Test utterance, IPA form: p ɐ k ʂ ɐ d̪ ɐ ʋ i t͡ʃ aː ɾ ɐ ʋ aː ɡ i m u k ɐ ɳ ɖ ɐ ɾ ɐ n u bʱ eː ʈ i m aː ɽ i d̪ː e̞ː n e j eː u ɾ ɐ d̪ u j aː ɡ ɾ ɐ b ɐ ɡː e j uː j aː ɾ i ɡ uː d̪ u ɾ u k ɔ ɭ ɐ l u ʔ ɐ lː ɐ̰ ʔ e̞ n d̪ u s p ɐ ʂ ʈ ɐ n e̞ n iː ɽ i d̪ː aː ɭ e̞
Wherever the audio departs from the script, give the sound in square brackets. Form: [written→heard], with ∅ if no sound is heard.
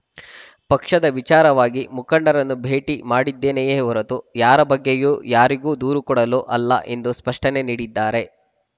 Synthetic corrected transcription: p ɐ k ʂ ɐ d̪ ɐ ʋ i t͡ʃ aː ɾ ɐ ʋ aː ɡ i m u k ɐ ɳ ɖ ɐ ɾ ɐ [n→nː] u bʱ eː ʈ i m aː ɽ i d̪ː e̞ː n e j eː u ɾ ɐ [d̪→t̪] u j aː [ɡ→∅] ɾ ɐ b ɐ ɡː e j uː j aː ɾ i ɡ uː d̪ [u→uː] ɾ u k ɔ [ɭ→ɽ] ɐ l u ʔ ɐ lː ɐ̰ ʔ e̞ n d̪ u s p ɐ ʂ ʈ ɐ n e̞ n iː ɽ i d̪ː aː [ɭ→ɾ] e̞